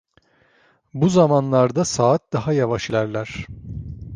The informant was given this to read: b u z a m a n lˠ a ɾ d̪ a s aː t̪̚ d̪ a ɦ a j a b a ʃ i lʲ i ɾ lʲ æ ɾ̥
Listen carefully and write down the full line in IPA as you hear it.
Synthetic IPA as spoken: b u z a m a n lˠ a ɾ d̪ a s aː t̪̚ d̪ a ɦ a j a v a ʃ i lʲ æ ɾ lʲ æ ɾ̥